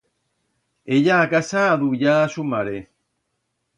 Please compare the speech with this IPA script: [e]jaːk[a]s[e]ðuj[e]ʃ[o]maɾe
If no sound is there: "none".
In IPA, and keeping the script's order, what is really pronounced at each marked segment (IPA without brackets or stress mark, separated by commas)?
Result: e, a, a, a, u